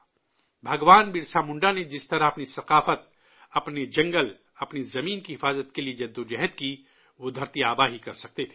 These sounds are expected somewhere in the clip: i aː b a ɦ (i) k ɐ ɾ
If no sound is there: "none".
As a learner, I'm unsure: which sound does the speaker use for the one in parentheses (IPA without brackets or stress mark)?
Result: i